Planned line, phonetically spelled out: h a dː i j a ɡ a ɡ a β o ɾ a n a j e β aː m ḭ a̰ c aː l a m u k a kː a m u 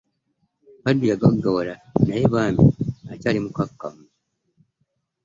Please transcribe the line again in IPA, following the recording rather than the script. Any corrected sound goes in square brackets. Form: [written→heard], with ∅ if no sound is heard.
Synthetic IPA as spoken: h a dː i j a ɡ a ɡ a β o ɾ a n a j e β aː m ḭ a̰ c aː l [a→i] m u k a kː a m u